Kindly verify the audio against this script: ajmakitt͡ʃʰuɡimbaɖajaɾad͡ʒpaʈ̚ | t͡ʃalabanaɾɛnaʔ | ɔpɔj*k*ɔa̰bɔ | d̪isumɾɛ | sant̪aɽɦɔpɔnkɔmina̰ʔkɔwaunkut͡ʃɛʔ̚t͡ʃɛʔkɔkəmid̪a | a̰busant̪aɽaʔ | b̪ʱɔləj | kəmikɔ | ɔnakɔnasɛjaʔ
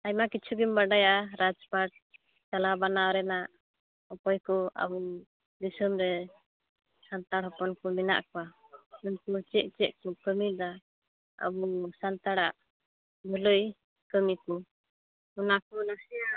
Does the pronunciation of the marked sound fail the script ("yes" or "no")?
no